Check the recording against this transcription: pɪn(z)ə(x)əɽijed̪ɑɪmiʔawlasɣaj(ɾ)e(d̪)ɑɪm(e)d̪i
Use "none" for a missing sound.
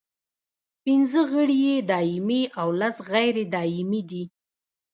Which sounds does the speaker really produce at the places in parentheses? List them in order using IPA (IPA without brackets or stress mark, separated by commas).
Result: z, ɣ, ɾ, d̪, i